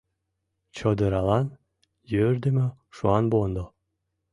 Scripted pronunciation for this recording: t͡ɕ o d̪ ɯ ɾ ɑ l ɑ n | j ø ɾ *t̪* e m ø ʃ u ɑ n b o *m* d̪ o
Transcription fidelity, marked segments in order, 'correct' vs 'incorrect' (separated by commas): incorrect, incorrect